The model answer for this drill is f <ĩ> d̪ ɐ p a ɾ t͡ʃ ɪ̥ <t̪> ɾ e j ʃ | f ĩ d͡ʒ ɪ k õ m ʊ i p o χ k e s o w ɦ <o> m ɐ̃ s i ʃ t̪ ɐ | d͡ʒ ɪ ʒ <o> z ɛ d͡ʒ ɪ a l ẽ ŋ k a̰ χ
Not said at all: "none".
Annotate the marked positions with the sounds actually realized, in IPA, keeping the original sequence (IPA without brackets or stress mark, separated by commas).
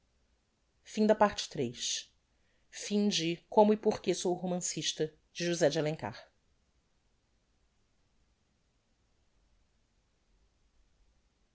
ĩ, t̪, o, u